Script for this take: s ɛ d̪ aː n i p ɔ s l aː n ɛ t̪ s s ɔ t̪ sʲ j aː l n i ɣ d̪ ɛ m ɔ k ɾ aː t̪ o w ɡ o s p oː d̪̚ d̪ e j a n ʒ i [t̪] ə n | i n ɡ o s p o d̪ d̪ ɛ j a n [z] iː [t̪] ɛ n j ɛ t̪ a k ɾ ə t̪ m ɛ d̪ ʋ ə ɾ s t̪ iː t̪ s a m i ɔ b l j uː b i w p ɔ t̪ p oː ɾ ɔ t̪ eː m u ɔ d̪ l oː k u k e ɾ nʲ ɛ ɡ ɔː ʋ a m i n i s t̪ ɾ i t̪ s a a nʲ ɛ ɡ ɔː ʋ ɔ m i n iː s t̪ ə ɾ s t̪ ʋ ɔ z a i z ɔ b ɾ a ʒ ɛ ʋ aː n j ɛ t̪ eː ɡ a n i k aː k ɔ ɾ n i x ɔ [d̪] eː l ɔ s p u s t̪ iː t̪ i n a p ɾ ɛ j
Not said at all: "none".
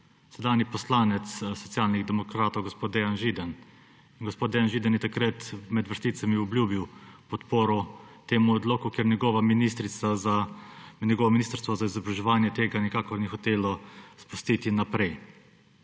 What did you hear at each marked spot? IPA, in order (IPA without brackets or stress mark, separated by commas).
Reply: d̪, ʒ, d̪, t̪